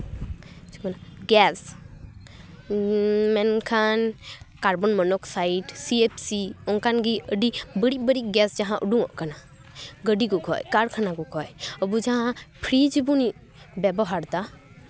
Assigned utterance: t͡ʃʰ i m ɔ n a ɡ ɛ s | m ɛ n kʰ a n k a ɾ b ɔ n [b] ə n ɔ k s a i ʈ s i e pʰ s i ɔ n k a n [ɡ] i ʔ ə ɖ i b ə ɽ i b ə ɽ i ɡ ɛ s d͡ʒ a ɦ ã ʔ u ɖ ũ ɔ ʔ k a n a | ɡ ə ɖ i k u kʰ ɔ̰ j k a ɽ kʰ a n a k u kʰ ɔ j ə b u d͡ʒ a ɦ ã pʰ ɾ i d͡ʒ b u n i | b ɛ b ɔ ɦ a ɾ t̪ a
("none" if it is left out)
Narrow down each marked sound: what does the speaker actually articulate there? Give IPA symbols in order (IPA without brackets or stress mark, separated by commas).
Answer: m, ɡ